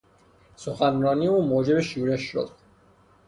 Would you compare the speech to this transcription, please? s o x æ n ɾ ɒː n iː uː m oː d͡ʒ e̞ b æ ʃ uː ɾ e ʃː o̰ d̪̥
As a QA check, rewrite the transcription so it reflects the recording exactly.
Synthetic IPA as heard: s o x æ n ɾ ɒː n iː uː m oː d͡ʒ e̞ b e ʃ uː ɾ e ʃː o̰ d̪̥

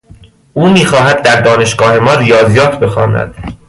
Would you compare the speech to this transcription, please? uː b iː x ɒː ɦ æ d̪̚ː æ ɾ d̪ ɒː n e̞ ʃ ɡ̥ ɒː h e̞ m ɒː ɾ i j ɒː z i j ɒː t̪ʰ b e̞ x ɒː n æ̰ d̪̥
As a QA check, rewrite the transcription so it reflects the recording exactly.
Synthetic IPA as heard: uː m iː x ɒː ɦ æ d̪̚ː æ ɾ d̪ ɒː n e̞ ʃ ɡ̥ ɒː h e̞ m ɒː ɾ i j ɒː z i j ɒː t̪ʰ b e̞ x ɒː n æ̰ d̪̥

